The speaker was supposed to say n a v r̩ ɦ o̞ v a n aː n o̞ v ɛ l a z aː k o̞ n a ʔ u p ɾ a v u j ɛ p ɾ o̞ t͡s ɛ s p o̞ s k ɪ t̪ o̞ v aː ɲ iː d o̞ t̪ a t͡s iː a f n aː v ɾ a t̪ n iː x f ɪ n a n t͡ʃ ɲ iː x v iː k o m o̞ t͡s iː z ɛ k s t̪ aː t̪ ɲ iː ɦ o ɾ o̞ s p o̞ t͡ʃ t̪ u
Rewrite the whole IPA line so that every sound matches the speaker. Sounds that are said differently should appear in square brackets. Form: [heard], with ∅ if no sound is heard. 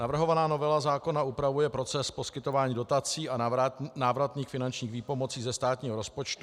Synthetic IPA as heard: n a v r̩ ɦ o̞ v a n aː n o̞ v ɛ l a z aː k o̞ n a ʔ u p ɾ a v u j ɛ p ɾ o̞ t͡s ɛ s p o̞ s k ɪ t̪ o̞ v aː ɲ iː d o̞ t̪ a t͡s iː a [∅] n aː v ɾ a t̪ n iː x f ɪ n a n t͡ʃ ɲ iː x v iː [p] o m o̞ t͡s iː z ɛ [∅] s t̪ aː t̪ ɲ iː ɦ o ɾ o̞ s p o̞ t͡ʃ t̪ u